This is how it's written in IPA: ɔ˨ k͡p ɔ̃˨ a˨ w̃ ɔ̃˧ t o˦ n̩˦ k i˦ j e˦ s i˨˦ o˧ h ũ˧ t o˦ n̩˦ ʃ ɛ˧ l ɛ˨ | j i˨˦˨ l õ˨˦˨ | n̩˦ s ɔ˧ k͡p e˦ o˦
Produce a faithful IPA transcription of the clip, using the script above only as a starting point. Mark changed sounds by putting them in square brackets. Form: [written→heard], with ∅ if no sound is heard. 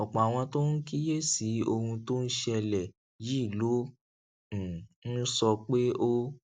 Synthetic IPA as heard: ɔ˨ k͡p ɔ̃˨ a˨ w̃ ɔ̃˧ t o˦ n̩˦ k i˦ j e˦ s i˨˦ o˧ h ũ˧ t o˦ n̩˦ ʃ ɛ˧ l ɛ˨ | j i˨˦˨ l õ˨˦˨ | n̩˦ s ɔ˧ k͡p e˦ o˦